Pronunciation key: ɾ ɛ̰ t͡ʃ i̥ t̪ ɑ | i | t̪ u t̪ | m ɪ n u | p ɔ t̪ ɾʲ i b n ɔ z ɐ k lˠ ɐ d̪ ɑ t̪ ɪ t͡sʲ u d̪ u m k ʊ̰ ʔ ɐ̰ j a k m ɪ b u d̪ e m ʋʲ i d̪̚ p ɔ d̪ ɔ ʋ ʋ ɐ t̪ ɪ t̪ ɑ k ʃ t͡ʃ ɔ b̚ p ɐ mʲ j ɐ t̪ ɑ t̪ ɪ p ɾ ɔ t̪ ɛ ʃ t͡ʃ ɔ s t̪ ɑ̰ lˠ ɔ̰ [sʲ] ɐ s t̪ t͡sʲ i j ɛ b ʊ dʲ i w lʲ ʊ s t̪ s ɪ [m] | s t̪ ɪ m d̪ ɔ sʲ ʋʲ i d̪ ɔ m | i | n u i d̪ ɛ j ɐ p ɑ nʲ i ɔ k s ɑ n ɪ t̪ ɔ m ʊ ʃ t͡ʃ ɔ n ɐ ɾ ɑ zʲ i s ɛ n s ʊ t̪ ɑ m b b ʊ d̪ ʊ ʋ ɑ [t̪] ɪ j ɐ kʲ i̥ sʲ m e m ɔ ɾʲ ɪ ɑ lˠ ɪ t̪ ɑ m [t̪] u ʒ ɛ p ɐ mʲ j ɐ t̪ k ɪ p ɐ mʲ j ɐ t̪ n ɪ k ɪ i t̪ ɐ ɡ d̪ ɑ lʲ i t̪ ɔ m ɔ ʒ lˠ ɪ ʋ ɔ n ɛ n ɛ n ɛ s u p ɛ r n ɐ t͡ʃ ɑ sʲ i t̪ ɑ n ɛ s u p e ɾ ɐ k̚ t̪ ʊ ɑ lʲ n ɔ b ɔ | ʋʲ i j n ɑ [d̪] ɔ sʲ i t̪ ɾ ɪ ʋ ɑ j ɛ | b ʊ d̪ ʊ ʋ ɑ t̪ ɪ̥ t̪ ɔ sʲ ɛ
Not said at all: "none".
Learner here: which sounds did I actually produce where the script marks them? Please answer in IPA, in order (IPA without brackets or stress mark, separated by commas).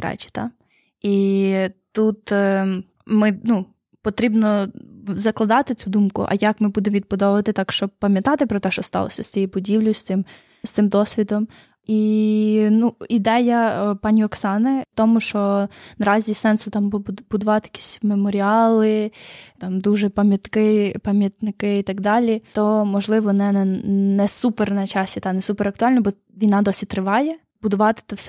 sʲ, m, t̪, d̪, d̪